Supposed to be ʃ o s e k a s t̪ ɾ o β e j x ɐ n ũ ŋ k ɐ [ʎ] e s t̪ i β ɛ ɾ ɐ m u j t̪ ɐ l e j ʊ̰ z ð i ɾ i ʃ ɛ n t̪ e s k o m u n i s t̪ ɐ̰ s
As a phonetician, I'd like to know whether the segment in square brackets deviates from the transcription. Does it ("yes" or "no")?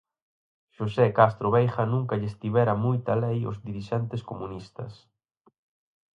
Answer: no